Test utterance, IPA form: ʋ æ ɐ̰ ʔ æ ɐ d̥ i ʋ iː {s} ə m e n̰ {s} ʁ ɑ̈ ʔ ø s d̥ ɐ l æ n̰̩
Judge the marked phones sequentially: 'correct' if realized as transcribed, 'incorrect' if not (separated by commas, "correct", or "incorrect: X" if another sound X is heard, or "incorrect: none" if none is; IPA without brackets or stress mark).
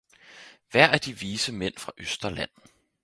correct, incorrect: f